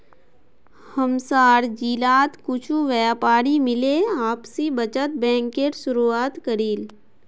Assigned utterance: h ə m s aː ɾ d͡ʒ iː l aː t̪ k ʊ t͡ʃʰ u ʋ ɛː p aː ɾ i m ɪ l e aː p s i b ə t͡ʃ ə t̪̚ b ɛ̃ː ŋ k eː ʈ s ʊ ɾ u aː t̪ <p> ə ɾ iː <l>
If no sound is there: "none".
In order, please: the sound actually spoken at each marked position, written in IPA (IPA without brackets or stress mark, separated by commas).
k, l